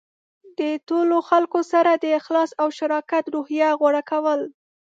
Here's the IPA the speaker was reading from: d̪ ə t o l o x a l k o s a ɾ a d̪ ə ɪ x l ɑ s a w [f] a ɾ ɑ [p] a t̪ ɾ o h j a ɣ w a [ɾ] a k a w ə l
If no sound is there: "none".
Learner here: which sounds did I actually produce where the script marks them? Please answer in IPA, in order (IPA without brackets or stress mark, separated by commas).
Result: ʃ, k, ɽ